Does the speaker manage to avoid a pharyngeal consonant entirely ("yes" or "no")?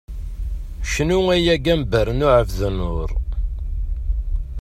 no